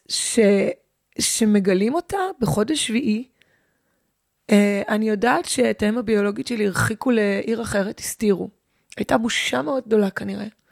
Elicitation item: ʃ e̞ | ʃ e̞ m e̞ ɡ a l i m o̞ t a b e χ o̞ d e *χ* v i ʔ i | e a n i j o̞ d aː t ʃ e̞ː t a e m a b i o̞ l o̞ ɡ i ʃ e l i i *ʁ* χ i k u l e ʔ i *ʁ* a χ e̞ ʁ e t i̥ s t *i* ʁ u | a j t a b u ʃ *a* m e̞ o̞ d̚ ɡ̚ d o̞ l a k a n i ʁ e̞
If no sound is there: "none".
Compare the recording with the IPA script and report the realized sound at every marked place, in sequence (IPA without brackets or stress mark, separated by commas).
ʃ, ʁ, ʁ, i, a